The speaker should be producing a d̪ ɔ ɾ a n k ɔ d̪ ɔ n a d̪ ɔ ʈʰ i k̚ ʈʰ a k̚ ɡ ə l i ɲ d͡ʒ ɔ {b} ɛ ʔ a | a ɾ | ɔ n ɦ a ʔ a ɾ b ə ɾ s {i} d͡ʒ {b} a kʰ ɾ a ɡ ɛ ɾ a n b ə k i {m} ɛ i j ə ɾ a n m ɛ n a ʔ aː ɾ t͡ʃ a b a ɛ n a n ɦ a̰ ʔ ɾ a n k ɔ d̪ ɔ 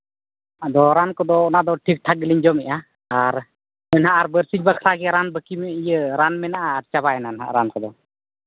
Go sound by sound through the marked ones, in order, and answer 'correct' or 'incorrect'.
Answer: incorrect, correct, correct, correct

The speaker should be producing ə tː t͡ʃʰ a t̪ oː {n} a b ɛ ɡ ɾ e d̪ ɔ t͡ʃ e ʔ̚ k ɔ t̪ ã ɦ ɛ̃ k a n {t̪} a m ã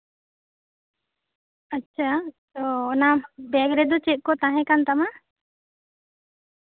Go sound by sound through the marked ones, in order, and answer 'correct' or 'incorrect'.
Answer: correct, correct

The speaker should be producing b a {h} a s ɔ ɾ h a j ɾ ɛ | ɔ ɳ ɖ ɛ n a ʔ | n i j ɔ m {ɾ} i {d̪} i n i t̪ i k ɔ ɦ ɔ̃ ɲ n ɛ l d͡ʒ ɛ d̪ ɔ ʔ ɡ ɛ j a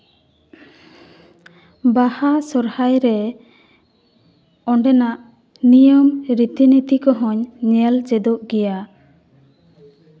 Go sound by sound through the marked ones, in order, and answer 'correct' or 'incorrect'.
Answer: correct, correct, incorrect

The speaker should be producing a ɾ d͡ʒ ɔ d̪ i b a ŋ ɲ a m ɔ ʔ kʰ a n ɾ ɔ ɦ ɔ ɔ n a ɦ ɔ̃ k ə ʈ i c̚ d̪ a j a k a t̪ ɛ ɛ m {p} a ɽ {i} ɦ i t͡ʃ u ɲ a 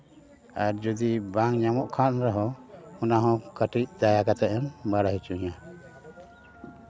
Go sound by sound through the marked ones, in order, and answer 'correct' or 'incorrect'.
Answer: incorrect, incorrect

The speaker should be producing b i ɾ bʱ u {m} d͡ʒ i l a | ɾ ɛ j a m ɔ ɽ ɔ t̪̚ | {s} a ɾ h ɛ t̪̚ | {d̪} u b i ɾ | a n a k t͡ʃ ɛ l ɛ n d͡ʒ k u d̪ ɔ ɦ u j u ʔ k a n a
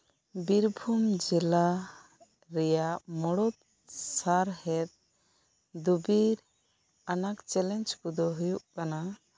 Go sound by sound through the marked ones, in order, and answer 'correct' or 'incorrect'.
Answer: correct, correct, correct

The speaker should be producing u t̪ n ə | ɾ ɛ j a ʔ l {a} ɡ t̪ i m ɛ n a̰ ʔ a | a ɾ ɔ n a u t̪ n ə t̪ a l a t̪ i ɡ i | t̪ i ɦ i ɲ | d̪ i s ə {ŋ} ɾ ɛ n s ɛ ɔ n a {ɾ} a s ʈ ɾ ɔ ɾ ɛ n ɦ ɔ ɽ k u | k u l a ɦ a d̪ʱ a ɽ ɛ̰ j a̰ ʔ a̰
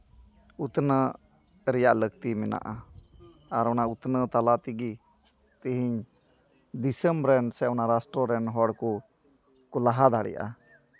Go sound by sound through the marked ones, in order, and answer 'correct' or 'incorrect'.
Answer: incorrect, incorrect, correct

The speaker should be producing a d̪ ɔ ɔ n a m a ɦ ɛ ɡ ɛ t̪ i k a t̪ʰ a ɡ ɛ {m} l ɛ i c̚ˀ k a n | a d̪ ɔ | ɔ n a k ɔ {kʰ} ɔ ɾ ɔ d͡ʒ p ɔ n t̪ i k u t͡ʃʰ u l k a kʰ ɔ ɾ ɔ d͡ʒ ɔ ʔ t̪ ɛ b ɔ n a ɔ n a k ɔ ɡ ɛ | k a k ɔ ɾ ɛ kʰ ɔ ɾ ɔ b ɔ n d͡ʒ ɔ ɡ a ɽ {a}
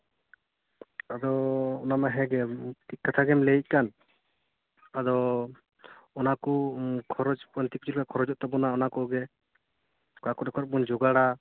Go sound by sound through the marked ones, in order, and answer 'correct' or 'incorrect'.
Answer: correct, correct, correct

